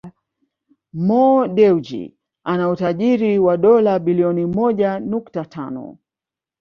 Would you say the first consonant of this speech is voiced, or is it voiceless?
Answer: voiced